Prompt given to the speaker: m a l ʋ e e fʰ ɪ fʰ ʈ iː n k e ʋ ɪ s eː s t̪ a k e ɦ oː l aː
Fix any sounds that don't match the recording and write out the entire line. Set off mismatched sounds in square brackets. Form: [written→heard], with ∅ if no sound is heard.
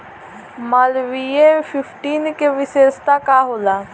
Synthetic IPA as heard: m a l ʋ [e→i] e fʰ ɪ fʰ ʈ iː n k e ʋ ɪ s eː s t̪ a k [e→a] ɦ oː l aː